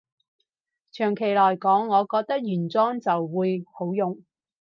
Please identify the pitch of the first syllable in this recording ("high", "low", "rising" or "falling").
low